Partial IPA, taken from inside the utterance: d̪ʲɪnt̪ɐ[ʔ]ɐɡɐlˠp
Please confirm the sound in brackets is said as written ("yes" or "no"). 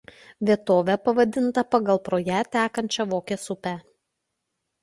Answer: no